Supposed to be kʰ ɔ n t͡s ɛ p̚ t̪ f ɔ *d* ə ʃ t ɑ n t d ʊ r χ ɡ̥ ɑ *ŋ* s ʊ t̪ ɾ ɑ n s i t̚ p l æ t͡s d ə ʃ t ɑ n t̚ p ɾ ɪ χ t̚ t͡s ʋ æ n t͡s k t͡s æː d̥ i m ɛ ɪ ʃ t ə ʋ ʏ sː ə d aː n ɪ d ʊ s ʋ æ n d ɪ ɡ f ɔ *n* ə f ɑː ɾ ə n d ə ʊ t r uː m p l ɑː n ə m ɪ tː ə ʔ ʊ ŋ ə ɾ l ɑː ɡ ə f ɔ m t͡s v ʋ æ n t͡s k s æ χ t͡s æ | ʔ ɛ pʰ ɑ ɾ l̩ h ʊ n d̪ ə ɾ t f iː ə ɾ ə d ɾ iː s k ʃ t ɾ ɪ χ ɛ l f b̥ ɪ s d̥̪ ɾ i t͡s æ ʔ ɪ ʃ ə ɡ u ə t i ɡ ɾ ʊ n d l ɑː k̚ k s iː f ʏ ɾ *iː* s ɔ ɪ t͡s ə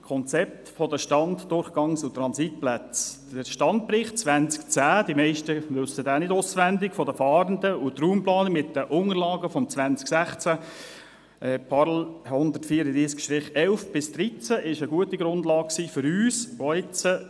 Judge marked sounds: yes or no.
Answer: yes, yes, no, no

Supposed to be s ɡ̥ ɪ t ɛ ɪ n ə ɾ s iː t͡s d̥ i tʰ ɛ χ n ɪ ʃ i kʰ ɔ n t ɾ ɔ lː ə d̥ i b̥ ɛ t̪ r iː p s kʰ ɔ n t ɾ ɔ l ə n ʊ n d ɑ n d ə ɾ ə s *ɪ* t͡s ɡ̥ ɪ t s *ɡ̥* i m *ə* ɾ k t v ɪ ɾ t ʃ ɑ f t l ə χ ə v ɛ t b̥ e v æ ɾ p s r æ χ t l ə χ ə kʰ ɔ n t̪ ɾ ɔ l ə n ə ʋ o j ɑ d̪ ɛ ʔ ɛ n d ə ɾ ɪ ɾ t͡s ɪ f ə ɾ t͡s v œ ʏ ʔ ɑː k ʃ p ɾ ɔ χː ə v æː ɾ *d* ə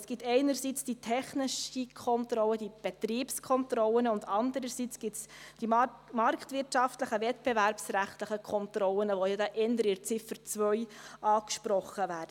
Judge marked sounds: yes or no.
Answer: no, no, no, yes

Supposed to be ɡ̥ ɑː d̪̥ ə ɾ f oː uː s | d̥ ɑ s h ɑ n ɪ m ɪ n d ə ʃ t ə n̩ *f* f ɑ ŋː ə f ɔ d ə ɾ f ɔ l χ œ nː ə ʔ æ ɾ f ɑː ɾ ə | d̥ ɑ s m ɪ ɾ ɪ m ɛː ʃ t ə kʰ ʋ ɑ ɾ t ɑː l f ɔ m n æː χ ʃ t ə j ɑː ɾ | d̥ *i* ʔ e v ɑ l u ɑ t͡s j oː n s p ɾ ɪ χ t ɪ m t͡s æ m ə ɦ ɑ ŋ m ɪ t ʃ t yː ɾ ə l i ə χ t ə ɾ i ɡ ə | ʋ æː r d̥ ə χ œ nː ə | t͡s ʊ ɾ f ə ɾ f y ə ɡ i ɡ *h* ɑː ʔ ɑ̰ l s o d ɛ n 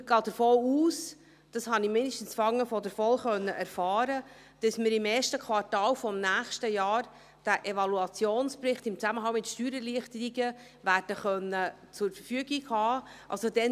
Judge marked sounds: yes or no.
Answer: no, no, yes

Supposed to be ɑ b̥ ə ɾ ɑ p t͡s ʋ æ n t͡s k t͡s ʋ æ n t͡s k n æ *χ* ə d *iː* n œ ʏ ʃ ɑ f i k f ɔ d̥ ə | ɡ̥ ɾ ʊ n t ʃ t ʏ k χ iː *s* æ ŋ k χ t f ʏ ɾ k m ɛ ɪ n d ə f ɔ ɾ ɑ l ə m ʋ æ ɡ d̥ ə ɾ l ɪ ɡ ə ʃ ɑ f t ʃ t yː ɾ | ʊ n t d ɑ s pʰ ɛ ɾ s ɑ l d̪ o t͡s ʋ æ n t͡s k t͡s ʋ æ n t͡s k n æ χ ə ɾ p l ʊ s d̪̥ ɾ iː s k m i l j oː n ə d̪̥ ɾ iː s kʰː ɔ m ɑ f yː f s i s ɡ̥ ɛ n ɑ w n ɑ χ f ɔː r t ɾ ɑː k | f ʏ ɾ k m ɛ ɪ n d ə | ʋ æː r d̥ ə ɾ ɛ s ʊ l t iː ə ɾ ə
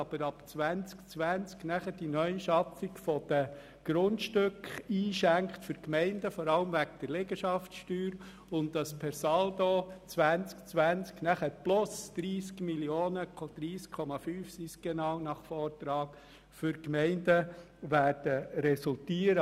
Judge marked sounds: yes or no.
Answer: yes, no, no

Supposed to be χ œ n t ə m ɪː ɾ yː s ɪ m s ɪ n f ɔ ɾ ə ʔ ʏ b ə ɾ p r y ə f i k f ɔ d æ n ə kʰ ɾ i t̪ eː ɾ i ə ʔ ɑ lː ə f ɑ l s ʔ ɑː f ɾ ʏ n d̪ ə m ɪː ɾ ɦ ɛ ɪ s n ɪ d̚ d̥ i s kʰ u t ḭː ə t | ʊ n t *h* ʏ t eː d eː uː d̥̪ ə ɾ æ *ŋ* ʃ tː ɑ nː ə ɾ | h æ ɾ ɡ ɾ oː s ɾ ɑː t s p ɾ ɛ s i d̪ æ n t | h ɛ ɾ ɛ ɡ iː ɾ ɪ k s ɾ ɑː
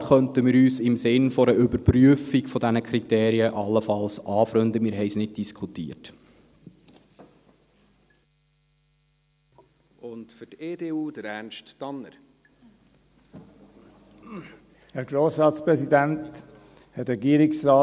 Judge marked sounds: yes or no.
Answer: no, no

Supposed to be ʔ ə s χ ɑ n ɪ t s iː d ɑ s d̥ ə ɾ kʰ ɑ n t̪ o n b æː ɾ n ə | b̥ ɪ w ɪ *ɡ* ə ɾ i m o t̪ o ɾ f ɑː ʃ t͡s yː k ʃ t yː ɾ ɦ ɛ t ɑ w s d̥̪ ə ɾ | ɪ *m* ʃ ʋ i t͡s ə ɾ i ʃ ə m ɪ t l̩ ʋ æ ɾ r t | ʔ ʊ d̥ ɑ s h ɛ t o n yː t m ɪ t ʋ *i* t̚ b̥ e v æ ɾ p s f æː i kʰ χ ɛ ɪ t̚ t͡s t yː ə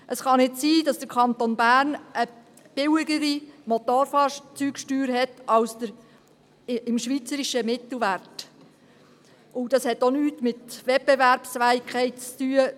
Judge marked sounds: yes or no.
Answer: yes, yes, no

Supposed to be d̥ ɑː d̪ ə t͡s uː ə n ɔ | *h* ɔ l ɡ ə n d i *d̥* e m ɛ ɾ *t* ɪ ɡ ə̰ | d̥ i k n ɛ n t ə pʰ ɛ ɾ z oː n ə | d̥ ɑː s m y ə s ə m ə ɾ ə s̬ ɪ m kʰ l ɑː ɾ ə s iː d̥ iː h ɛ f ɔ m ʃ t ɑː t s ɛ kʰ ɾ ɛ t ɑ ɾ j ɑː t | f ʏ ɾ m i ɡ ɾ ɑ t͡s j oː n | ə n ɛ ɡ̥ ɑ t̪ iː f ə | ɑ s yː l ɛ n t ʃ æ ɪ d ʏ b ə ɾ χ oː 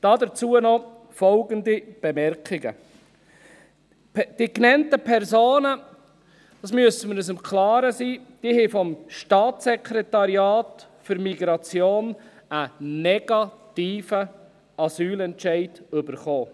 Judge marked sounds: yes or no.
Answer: no, no, no

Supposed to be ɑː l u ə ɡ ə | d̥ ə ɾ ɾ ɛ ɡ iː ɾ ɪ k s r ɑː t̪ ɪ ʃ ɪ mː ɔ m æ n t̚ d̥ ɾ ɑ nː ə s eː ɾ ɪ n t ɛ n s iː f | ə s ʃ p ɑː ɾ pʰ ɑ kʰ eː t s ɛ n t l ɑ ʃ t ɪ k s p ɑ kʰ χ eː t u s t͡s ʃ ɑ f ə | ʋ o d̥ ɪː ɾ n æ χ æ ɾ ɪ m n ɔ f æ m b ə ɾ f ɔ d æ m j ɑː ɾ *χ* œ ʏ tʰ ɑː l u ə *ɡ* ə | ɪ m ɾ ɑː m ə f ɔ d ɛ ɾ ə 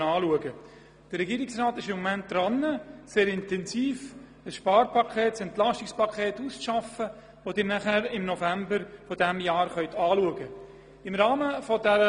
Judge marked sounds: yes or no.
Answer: yes, yes

